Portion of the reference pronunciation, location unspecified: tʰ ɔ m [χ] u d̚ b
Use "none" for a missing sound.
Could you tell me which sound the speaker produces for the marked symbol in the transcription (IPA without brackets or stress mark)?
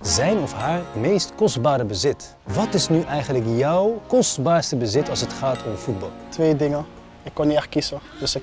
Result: f